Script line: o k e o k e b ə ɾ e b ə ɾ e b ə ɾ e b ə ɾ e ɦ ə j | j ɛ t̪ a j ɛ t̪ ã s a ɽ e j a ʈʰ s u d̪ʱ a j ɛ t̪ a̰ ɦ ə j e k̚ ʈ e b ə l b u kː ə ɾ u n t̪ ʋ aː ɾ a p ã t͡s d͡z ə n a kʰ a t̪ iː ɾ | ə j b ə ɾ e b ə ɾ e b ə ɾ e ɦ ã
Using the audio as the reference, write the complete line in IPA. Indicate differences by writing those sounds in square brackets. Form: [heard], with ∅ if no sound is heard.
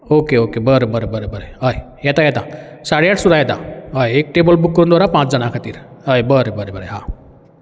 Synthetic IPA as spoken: o k e o k e b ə ɾ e b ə ɾ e b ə ɾ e b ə ɾ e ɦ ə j | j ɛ t̪ a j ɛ t̪ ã s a ɽ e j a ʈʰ s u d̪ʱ a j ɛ t̪ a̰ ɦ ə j e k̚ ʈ e b ə l b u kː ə ɾ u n [d̪] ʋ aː ɾ a p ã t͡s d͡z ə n a kʰ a t̪ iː ɾ | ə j b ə ɾ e b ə ɾ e b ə ɾ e ɦ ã